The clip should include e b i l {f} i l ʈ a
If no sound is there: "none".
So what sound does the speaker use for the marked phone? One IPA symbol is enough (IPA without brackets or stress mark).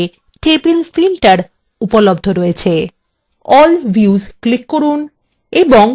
f